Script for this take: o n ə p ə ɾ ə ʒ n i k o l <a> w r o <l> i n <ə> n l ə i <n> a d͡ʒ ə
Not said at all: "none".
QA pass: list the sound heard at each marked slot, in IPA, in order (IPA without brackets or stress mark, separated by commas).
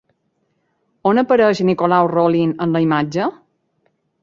a, l, ə, m